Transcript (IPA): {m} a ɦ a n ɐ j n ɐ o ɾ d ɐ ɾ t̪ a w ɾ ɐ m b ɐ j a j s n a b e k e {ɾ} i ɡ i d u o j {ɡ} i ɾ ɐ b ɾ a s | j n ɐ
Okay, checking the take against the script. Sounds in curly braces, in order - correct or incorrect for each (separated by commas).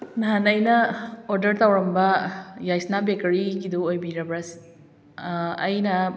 incorrect, correct, incorrect